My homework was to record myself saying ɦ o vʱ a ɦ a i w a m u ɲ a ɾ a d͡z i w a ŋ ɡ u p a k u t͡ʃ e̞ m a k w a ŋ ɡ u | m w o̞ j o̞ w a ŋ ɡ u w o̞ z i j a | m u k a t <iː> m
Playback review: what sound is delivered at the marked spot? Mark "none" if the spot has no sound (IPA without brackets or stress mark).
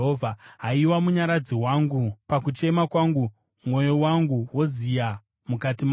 i